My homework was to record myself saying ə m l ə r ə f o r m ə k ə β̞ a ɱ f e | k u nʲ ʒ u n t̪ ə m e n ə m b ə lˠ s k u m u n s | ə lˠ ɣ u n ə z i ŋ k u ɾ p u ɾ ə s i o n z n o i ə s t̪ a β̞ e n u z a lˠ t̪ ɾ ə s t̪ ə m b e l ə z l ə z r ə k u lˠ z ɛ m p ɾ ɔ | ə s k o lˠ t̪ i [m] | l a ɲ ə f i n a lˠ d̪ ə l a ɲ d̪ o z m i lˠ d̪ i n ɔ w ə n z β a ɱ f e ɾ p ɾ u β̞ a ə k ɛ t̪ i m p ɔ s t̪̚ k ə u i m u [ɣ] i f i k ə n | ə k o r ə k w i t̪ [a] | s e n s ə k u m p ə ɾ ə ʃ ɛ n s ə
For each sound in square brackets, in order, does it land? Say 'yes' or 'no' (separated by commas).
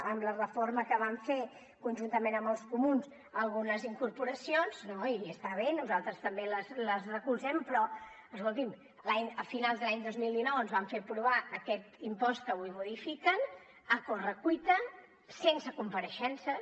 yes, no, no